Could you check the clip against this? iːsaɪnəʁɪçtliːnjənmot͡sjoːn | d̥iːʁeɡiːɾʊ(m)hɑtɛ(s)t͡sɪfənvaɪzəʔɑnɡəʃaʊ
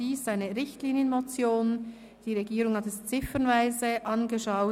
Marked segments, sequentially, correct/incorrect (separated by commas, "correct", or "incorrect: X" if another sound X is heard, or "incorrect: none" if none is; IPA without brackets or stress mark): incorrect: ŋ, correct